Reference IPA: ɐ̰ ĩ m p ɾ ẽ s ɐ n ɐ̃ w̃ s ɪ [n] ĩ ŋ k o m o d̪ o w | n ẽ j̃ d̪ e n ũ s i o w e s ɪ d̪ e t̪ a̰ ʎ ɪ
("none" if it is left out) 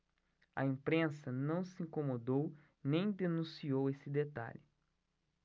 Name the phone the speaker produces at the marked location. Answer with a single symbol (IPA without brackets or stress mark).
none